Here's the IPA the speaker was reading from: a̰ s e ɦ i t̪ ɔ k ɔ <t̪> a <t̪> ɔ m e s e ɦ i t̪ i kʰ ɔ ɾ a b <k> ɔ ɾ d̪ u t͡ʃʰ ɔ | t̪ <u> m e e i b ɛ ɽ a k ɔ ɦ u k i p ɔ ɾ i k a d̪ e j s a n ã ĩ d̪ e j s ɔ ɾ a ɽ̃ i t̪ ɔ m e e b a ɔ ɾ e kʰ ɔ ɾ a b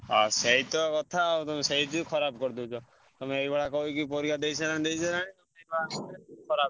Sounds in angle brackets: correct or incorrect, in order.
incorrect, correct, correct, incorrect

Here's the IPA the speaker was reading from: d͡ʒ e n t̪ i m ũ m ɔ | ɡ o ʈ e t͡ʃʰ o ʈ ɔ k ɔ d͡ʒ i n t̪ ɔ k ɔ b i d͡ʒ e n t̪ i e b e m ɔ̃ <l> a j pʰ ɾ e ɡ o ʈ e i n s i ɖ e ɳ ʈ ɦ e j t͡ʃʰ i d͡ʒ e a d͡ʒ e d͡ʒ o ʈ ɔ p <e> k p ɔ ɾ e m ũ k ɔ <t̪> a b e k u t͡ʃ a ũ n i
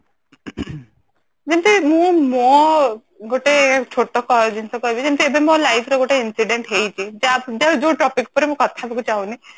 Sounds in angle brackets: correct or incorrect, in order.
correct, incorrect, incorrect

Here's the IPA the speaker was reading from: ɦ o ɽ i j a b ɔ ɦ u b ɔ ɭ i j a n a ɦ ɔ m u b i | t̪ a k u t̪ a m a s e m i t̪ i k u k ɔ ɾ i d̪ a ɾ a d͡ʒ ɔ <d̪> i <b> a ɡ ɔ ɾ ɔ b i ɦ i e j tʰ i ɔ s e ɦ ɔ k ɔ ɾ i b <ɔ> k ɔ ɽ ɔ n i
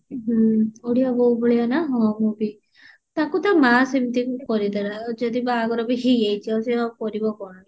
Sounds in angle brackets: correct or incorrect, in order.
correct, correct, correct

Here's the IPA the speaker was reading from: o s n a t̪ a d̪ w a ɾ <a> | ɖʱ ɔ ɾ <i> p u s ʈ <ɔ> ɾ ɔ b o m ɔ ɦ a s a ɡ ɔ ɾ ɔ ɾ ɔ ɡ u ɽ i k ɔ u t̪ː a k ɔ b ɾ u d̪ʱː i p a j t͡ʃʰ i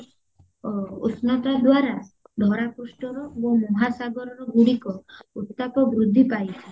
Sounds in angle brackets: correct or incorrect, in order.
correct, incorrect, correct

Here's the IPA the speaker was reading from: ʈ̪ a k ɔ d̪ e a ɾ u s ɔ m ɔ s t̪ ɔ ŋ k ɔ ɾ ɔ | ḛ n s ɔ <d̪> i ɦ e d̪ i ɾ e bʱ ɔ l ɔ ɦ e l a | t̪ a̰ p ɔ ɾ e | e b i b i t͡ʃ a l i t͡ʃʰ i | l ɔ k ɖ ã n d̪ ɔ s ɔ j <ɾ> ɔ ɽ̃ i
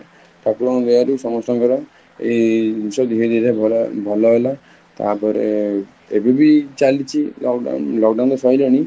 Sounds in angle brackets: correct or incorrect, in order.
correct, incorrect

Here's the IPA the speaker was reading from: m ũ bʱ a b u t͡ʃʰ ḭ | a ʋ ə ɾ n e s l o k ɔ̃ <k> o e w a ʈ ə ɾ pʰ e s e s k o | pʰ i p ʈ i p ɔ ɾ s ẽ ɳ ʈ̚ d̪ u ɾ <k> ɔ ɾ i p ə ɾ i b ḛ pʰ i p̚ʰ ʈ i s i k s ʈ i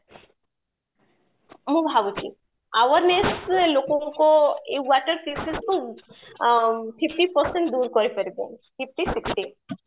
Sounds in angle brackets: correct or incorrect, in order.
correct, correct

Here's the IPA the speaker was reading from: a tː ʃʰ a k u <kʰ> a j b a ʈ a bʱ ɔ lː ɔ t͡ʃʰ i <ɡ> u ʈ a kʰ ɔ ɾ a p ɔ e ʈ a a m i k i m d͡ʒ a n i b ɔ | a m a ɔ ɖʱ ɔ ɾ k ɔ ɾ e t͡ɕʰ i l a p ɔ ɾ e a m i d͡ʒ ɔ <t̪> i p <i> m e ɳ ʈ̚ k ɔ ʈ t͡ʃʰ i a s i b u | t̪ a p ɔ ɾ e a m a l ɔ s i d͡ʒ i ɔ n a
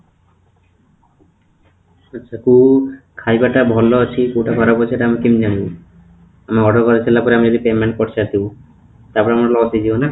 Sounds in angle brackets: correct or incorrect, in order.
correct, incorrect, incorrect, incorrect

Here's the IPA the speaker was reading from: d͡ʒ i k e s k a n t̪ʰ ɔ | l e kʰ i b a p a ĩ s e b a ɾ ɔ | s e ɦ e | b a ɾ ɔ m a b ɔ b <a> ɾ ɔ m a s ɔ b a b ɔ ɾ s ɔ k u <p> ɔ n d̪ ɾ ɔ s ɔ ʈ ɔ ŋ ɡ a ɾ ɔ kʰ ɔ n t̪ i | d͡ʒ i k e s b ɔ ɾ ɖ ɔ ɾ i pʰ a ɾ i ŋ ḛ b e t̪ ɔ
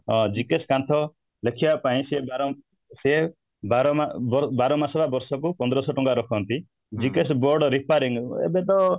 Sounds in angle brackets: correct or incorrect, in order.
correct, correct

